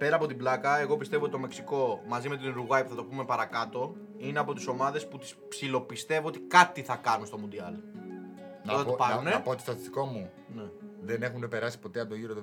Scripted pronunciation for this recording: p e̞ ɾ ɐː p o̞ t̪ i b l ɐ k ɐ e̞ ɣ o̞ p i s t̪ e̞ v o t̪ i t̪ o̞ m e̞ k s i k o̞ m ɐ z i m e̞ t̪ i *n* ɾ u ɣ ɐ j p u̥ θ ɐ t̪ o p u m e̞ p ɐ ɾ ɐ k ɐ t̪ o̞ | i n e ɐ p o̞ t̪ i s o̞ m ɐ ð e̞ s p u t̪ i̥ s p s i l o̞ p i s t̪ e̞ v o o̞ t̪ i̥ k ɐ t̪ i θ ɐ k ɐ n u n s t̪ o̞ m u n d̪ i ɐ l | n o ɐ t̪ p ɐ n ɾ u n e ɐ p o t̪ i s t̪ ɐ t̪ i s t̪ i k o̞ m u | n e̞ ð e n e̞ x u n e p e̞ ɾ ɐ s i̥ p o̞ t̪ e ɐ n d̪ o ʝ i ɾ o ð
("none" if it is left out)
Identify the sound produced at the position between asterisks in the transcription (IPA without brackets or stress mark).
n